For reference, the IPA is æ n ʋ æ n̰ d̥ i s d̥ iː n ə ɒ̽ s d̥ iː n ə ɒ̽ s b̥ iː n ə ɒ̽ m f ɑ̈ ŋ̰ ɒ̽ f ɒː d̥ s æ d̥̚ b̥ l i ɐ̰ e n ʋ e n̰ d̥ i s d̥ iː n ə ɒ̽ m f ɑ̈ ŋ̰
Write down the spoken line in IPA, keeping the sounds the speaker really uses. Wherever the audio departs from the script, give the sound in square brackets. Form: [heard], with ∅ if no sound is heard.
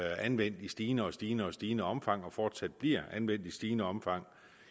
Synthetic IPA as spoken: æ n ʋ [e] n̰ d̥ i s d̥ iː n ə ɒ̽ s d̥ iː n ə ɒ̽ s [d̥] iː n ə ɒ̽ m f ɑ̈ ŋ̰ ɒ̽ f ɒː d̥ s æ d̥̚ b̥ l i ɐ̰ [æ] n ʋ e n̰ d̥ i s d̥ iː n ə ɒ̽ m f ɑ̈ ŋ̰